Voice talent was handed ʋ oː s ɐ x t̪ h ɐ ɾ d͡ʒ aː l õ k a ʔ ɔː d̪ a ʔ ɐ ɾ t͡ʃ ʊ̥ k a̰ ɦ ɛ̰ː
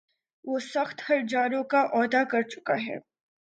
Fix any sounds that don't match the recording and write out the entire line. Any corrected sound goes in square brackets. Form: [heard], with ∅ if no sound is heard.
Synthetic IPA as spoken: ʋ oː s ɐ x t̪ h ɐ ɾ d͡ʒ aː [ɾ] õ k a ʔ ɔː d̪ a [k] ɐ ɾ t͡ʃ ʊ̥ k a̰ ɦ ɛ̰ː